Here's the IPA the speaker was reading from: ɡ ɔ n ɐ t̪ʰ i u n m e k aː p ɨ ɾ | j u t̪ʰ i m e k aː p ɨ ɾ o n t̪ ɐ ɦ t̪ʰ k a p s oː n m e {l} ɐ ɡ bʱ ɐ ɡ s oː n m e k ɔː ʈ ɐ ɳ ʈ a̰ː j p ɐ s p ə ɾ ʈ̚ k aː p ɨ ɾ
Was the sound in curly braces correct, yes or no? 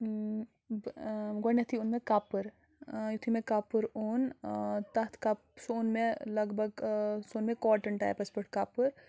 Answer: yes